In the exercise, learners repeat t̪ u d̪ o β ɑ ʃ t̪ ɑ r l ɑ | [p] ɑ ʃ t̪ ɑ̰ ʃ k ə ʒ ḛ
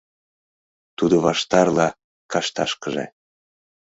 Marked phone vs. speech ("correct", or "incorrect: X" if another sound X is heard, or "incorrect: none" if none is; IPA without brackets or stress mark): incorrect: k